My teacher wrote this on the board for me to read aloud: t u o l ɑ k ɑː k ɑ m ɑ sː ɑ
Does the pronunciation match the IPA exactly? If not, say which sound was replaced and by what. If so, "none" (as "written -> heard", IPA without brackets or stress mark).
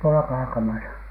sː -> s